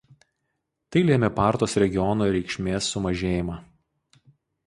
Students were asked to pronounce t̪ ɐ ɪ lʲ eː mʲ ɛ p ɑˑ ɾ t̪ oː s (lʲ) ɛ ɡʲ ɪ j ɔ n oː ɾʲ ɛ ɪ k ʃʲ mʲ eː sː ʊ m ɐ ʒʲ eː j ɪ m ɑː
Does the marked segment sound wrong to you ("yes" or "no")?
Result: yes